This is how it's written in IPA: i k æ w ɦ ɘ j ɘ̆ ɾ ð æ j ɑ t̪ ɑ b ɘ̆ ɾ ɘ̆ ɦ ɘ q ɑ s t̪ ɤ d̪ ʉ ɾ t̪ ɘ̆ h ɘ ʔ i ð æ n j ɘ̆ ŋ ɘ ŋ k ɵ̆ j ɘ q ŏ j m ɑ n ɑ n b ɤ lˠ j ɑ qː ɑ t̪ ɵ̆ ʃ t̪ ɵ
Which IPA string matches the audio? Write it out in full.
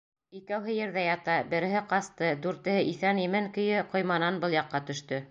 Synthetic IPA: i k æ w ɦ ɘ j ɘ̆ ɾ ð æ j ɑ t̪ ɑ b ɘ̆ ɾ ɘ̆ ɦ ɘ q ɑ s t̪ ɤ d̪ ʉ ɾ t̪ ɘ̆ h ɘ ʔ i θ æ n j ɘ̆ m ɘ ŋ k ɵ̆ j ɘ q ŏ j m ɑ n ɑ n b ɤ lˠ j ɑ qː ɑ t̪ ɵ̆ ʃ t̪ ɵ